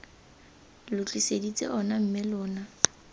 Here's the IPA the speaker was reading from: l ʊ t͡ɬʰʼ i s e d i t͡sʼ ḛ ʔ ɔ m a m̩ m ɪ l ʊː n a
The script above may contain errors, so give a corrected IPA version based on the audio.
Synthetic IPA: l ʊ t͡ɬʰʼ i s e d i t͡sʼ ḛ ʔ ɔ n a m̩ m ɪ l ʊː n a